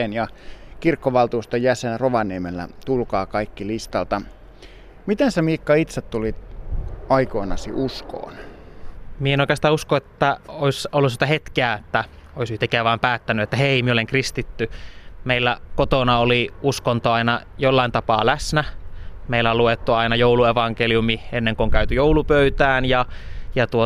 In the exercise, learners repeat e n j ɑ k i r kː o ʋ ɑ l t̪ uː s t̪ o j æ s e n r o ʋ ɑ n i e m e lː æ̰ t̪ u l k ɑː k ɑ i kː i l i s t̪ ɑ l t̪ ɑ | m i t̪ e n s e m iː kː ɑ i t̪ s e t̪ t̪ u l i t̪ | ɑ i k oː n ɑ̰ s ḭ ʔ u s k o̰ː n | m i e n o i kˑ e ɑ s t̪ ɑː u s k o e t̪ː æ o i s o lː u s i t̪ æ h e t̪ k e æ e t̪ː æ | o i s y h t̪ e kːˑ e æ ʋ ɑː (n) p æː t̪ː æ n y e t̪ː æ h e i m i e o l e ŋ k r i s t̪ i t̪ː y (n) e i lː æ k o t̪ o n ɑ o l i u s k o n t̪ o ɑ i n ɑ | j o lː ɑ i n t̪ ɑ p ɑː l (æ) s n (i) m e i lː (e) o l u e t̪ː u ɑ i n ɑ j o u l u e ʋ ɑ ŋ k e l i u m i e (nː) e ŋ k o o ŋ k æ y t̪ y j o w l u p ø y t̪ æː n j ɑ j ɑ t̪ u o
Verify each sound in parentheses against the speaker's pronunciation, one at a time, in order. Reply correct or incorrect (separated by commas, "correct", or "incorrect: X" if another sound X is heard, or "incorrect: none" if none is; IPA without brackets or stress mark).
incorrect: m, incorrect: m, correct, incorrect: æ, incorrect: æ, correct